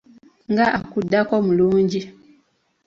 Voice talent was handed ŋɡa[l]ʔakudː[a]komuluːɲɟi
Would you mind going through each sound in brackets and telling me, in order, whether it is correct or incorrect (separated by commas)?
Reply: incorrect, correct